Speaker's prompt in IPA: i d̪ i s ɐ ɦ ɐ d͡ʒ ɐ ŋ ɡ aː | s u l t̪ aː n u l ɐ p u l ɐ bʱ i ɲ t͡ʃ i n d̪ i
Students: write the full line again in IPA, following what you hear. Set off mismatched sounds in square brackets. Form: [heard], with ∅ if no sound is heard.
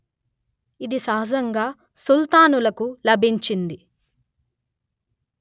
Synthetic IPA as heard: i d̪ i s ɐ ɦ ɐ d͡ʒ ɐ ŋ ɡ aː | s u l t̪ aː n u l ɐ [k] u l ɐ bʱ i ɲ t͡ʃ i n d̪ i